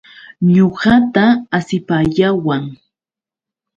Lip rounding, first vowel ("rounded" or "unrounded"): rounded